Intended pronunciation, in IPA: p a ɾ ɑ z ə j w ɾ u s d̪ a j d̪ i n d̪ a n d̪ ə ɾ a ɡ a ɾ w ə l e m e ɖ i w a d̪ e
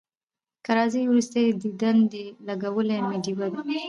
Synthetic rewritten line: k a ɾ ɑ z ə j w ɾ u s t̪ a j d̪ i d̪ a n d̪ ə l a ɡ a w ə l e m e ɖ i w a d̪ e